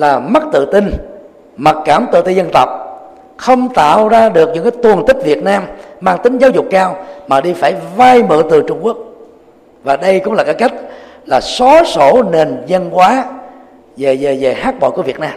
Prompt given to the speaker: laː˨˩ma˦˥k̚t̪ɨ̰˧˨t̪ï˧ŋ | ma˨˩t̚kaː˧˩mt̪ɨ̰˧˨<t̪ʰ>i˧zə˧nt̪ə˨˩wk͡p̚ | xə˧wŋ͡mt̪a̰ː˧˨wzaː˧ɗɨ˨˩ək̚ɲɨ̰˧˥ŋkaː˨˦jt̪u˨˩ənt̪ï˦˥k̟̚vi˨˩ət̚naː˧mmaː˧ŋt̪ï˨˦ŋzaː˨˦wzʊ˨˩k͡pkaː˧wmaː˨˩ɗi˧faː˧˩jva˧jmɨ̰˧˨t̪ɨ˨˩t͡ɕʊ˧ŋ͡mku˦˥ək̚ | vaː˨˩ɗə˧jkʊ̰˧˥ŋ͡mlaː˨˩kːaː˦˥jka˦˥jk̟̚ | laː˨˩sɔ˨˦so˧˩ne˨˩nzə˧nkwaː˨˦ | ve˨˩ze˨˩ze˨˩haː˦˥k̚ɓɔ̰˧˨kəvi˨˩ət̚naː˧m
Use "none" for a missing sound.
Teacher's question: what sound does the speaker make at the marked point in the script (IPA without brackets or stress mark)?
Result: t̪